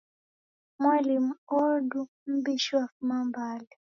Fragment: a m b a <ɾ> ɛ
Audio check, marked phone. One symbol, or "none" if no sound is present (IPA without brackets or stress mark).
l